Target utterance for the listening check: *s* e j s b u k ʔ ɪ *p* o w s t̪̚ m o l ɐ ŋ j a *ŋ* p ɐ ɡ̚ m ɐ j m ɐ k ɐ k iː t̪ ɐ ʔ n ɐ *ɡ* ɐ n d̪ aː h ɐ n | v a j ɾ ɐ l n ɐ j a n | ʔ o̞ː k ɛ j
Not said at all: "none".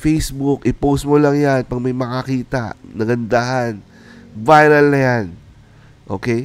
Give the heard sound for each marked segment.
f, p, n, ɡ

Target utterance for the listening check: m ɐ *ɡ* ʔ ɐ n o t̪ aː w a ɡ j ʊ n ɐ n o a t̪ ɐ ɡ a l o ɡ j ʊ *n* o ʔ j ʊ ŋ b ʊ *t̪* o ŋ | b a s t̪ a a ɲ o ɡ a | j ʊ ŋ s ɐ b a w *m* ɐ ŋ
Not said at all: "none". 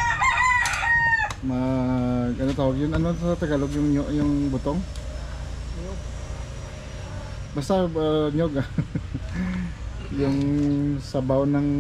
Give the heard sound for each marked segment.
ɡ, ŋ, t̪, n

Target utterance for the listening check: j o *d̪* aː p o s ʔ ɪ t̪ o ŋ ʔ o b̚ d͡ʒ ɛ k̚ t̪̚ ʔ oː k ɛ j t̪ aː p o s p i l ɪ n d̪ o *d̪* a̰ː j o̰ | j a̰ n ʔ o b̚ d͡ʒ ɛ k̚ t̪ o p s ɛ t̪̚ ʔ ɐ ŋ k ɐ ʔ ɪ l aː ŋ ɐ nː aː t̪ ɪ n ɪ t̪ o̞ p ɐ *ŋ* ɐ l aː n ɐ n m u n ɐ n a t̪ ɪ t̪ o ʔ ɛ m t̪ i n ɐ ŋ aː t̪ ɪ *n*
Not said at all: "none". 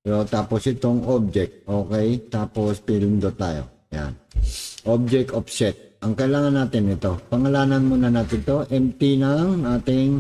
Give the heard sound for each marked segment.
t̪, t̪, ŋ, ŋ

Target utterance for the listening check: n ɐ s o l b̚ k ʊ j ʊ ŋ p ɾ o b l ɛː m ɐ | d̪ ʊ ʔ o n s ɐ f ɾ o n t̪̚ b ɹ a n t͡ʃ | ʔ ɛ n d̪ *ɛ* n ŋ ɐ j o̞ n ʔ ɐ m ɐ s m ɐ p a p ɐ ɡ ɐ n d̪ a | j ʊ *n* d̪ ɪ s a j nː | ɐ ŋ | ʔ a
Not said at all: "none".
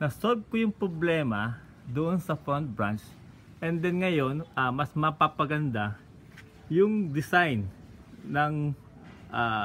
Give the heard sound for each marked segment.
ɛ, ŋ

